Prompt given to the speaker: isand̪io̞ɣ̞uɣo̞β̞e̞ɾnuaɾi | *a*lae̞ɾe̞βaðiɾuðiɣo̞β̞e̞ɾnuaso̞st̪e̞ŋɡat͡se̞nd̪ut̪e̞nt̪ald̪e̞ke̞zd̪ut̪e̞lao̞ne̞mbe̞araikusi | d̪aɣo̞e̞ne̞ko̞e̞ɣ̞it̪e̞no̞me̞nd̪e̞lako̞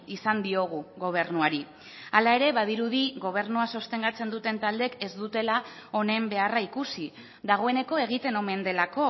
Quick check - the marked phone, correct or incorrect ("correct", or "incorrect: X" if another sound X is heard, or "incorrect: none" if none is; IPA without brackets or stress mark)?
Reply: correct